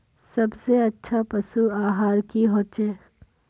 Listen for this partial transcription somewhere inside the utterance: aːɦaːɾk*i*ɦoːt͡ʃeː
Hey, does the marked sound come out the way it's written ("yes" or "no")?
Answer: yes